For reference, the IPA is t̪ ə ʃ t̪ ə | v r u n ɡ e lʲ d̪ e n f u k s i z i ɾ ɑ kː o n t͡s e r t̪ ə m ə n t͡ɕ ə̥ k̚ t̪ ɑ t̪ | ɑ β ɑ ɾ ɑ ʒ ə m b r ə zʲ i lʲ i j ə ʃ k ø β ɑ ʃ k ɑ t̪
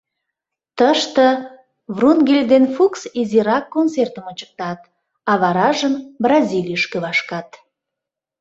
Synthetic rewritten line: t̪ ə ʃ t̪ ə | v r u n ɡ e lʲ d̪ e n f u k s i z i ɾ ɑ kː o n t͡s e r t̪ ə m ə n t͡ɕ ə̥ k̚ t̪ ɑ t̪ | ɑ β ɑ ɾ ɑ ʒ ə m b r ɑ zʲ i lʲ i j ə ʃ k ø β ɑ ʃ k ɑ t̪